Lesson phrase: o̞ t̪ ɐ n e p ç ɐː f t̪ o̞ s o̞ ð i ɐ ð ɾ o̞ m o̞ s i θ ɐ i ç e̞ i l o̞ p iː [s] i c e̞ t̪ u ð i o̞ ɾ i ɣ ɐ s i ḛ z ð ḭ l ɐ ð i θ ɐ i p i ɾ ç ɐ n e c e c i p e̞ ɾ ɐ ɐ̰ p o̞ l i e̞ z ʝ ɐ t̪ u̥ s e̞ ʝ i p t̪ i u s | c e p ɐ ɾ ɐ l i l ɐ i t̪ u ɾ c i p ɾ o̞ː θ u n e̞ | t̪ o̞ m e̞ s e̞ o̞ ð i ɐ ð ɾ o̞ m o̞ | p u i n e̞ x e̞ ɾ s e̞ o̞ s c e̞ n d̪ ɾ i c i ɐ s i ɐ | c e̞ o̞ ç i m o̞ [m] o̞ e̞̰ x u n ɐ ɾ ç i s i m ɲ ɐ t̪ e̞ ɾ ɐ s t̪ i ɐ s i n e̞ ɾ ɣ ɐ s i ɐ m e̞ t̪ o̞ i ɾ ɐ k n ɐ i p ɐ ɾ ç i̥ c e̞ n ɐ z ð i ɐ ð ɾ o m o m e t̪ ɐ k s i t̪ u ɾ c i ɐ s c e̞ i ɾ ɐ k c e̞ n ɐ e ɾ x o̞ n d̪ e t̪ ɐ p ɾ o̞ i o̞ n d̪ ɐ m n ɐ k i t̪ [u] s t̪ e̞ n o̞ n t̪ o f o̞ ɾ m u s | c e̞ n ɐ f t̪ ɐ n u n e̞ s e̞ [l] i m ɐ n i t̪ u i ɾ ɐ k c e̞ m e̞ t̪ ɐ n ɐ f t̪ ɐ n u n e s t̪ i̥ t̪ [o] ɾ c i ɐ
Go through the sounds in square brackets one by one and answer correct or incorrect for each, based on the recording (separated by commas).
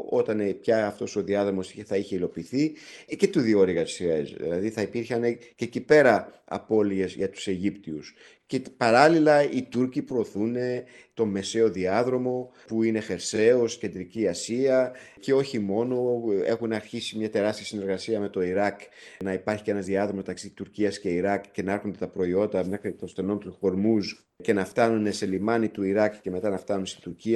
incorrect, incorrect, incorrect, correct, incorrect